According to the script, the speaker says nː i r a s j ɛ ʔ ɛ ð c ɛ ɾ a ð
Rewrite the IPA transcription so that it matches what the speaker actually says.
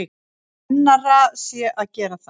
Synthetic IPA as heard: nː a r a s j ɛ ʔ a ð c ɛː ɾ a θ